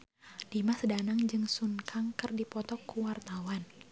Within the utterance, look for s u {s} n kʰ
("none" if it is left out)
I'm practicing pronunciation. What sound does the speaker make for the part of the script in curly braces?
none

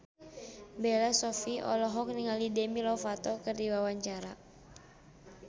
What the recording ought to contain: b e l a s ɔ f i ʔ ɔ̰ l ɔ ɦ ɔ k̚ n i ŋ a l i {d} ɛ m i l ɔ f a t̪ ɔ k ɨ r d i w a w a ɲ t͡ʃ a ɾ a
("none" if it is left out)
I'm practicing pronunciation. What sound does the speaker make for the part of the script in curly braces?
d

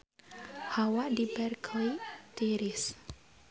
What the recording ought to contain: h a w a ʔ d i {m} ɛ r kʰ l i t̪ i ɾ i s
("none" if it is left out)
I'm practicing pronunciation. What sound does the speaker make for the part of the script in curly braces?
b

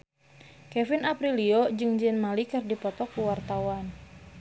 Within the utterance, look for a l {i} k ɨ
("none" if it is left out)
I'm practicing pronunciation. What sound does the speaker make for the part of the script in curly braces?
i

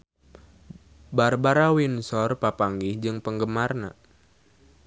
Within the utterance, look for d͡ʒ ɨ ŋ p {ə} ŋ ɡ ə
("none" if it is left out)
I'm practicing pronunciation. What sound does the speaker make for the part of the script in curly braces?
ə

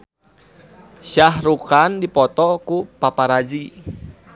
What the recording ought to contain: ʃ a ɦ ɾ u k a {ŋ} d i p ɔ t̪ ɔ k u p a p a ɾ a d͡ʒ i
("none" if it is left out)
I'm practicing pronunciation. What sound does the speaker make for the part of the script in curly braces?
n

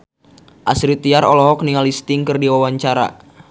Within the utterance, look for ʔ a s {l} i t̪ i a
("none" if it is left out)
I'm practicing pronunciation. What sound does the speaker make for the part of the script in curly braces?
ɾ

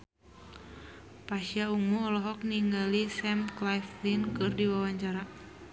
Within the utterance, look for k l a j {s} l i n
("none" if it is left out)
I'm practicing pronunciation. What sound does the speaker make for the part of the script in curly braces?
f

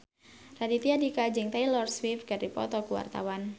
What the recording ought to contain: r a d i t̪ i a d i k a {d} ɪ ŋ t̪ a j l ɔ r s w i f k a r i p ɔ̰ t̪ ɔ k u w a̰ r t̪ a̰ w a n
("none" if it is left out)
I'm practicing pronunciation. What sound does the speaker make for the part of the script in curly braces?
d͡ʒ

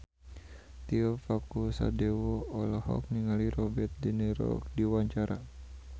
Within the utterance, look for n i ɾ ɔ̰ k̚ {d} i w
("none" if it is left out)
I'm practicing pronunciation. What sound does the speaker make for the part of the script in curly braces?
d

